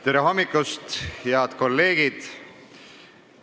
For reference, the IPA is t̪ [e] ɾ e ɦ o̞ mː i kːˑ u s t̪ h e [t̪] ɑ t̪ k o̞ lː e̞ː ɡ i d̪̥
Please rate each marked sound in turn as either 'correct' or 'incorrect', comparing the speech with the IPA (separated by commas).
correct, incorrect